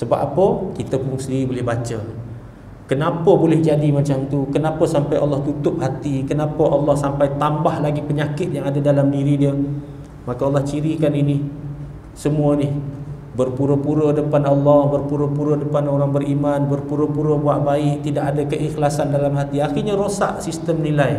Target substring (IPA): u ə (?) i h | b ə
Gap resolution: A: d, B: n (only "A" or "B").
B